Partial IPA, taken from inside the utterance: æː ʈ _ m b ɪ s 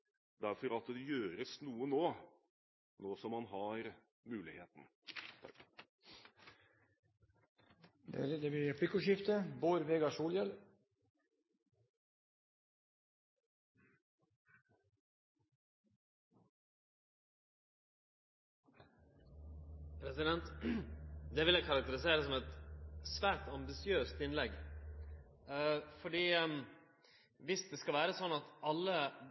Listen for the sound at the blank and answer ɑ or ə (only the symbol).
ɑ